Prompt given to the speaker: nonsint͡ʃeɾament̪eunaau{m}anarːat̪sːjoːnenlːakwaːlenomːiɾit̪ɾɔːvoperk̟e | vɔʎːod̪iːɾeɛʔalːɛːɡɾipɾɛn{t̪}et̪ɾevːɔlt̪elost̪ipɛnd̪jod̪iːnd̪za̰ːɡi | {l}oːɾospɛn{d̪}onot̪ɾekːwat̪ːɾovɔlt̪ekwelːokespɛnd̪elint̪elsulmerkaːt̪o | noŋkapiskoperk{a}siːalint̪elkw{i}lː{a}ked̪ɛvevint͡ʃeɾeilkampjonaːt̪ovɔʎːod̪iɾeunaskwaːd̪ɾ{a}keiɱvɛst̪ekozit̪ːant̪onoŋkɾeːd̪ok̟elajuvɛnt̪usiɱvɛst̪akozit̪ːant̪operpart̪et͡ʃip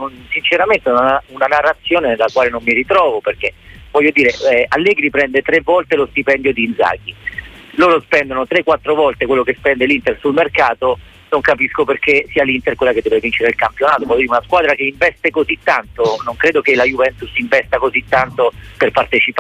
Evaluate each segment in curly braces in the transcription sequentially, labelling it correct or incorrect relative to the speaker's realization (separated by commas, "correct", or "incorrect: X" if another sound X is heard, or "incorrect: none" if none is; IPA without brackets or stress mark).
incorrect: n, incorrect: d̪, correct, correct, incorrect: e, incorrect: e, correct, correct